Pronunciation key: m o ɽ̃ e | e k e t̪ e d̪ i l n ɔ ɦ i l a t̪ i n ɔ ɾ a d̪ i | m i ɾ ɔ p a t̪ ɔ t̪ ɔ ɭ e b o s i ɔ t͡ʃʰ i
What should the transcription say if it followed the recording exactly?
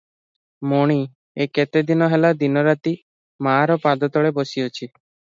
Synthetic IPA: m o ɽ̃ i | e k e t̪ e d̪ i n ɔ ɦ e l a d̪ i n ɔ ɾ a t̪ i | m a ɾ ɔ p a d̪ ɔ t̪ ɔ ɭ e b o s i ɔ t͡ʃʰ i